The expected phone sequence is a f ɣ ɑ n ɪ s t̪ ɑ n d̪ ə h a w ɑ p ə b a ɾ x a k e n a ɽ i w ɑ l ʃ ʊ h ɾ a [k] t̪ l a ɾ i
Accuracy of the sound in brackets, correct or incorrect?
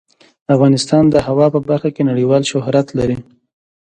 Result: incorrect